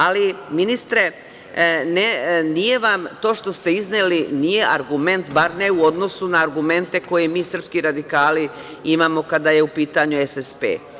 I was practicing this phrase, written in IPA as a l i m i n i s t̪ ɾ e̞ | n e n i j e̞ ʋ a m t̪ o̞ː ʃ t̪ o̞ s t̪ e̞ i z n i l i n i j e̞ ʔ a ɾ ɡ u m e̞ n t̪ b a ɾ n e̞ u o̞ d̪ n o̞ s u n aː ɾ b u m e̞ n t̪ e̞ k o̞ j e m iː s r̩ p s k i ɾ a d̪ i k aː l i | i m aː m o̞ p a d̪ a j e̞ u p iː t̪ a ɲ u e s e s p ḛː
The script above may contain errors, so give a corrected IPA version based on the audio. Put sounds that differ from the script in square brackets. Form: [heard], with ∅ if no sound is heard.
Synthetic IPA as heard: a l i m i n i s t̪ ɾ e̞ | n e n i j e̞ ʋ a m t̪ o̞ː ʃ t̪ o̞ s t̪ e̞ i z n [e] l i n i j e̞ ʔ a ɾ ɡ u m e̞ n t̪ b a ɾ n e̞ u o̞ d̪ n o̞ s u n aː ɾ [ɡ] u m e̞ n t̪ e̞ k o̞ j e m iː s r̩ p s k i ɾ a d̪ i k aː l i | i m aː m o̞ [k] a d̪ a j e̞ u p iː t̪ a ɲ u e s e s p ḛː